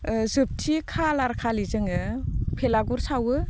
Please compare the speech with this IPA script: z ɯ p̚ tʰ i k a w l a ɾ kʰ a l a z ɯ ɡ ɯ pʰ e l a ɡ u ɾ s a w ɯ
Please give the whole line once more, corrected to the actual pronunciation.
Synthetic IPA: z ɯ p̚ tʰ i kʰ a l a ɾ kʰ a l i z ɯ ŋ ɯ pʰ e l a ɡ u ɾ s a w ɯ